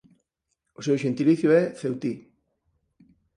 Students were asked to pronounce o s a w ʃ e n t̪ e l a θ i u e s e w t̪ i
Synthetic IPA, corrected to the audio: o s e w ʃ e n t̪ i l i θ j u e θ e w t̪ i